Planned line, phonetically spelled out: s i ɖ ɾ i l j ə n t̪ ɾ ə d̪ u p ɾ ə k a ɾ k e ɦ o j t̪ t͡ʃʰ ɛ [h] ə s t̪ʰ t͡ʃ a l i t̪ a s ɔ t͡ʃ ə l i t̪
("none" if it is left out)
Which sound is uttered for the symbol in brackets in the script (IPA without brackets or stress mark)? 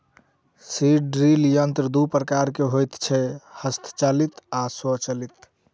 h